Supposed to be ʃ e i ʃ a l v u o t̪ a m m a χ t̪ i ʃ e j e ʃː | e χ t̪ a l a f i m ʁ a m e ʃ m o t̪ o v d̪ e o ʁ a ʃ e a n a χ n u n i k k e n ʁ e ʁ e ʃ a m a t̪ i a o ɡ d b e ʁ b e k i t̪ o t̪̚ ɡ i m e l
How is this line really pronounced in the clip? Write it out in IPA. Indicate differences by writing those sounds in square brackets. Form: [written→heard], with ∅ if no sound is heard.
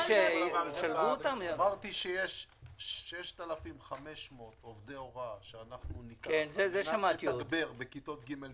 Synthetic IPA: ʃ e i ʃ a l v u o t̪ a m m a [χ→ʁ] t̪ i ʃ e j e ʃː | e [χ→ʃ] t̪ a l a f i m [ʁ→χ] a m e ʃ m o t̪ o v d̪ e o ʁ a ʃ e a n a χ n u n i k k e n [ʁ→z] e [ʁ→z] e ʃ a m a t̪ i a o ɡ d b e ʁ b e k i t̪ o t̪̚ ɡ i m e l